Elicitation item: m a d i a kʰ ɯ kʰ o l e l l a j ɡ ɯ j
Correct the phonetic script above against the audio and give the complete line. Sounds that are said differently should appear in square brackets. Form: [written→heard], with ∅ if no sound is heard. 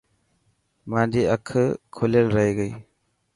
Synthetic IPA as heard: m a d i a kʰ ɯ kʰ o l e l [l→ɾ] a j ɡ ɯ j